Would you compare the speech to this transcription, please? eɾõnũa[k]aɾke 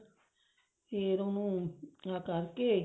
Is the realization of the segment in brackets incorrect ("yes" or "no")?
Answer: no